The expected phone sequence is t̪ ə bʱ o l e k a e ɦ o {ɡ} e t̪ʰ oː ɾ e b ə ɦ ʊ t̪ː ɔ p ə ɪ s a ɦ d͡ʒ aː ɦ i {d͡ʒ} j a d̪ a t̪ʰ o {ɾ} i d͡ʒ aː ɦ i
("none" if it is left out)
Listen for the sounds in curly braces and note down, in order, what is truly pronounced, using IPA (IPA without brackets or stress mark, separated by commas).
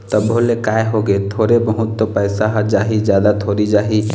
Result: ɡ, d͡ʒ, ɾ